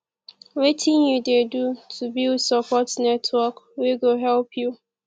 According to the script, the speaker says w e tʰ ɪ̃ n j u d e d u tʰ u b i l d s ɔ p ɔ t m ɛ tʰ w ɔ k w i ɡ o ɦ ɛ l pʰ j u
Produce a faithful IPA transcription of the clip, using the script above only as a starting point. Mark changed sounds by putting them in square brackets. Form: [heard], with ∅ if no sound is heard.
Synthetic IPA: w e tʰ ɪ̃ n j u d e d u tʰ u b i l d s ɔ p ɔ t [n] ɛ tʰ w ɔ k w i ɡ o ɦ ɛ l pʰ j u